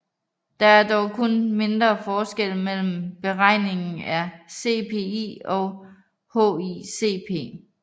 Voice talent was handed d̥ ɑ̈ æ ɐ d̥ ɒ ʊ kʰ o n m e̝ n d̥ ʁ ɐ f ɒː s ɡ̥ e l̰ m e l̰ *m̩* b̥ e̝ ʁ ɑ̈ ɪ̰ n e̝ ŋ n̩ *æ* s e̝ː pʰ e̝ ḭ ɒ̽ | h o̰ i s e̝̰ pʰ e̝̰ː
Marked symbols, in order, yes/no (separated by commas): yes, yes